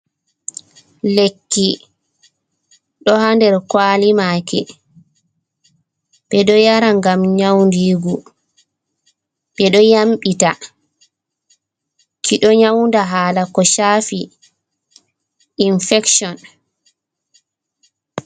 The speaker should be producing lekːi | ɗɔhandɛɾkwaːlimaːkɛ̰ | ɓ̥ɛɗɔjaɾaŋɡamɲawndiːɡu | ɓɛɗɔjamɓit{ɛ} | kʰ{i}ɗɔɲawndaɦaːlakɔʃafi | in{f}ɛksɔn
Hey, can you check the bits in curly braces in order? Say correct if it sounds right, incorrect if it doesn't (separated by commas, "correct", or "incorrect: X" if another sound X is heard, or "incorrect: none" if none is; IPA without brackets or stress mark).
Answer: incorrect: a, correct, correct